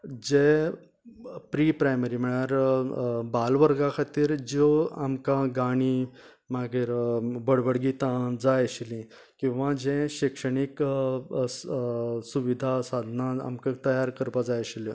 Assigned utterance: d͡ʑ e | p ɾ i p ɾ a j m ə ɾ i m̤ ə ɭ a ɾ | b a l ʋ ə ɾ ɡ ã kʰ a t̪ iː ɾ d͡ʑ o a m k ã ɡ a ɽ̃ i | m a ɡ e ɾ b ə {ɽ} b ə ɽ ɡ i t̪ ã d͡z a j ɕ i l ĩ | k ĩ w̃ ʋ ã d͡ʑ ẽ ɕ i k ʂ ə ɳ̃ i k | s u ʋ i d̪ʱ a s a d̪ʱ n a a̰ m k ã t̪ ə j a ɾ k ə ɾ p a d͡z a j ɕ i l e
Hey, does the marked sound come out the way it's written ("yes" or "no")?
yes